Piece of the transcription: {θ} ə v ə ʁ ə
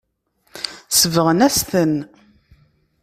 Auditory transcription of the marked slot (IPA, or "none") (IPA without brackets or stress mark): s